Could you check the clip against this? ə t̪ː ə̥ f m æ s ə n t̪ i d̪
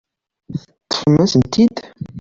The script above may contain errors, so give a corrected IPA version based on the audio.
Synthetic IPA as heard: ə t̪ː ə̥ f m æ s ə n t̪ i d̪